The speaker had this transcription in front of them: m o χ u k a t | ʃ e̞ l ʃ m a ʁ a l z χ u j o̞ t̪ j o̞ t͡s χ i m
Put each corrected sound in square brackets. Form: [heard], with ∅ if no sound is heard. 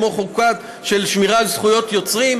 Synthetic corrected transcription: m o χ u k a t | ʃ e̞ l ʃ m [i] ʁ a l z χ u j o̞ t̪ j o̞ t͡s [ʁ] i m